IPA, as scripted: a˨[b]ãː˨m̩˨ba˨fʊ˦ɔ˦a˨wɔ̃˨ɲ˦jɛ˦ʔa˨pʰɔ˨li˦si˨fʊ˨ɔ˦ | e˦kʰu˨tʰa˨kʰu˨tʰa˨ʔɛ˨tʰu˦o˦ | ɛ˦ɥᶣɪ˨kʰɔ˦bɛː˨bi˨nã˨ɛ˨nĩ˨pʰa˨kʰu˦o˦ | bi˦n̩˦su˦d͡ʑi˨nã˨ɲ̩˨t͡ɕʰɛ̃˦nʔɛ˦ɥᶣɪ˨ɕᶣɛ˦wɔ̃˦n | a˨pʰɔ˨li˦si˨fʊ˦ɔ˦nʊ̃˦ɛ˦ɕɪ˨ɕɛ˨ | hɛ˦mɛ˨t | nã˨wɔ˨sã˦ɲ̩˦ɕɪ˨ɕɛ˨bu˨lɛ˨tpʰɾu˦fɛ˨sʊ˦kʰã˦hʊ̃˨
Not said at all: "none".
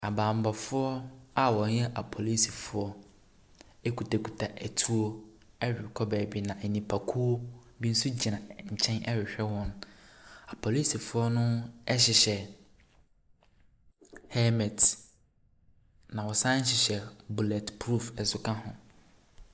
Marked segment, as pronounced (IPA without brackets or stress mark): b